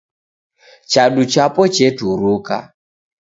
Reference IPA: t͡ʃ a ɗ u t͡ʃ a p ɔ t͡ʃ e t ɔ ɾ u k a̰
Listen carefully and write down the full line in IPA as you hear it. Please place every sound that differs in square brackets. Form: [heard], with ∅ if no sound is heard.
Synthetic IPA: t͡ʃ a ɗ u t͡ʃ a p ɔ t͡ʃ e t [u] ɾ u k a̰